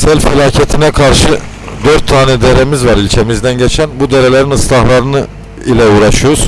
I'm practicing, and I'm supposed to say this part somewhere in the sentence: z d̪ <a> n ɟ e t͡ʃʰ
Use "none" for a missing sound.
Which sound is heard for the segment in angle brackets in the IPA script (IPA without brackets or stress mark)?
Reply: æ